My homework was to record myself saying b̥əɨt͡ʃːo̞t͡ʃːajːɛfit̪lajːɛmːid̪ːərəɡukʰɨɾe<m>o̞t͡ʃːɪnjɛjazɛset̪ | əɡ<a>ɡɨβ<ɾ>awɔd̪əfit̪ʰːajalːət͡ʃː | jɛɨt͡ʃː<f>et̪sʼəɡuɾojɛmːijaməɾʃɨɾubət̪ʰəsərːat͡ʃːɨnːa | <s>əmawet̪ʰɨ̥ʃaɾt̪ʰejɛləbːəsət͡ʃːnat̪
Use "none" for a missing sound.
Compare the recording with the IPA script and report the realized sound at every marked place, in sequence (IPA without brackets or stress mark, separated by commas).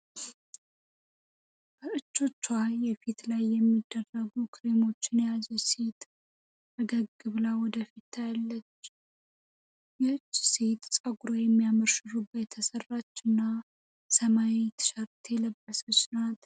m, ə, l, s, s